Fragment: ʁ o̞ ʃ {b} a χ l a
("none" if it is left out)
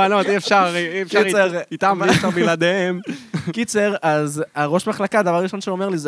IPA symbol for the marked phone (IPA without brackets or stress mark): m